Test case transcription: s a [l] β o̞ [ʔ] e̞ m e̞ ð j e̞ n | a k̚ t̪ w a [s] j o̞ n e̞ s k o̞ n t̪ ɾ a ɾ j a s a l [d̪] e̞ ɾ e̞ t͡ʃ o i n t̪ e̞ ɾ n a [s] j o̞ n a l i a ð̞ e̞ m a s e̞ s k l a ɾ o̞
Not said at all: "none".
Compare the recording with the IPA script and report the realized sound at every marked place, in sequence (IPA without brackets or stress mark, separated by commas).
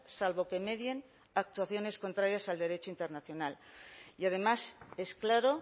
l, k, θ, d̪, θ